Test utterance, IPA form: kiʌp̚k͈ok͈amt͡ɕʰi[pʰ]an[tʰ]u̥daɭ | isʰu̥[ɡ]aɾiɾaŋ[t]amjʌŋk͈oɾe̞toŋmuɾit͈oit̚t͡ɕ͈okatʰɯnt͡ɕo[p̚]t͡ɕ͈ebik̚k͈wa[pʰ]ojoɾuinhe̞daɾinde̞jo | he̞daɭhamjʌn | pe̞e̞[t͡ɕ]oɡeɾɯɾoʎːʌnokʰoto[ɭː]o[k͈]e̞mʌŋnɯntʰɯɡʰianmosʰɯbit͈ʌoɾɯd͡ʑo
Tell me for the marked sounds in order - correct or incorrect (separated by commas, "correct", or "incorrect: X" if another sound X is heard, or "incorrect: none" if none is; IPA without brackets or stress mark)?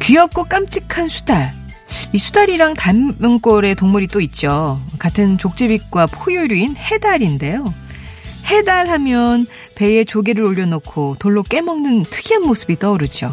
incorrect: kʰ, incorrect: sʰ, incorrect: d, correct, incorrect: k̚, correct, correct, correct, correct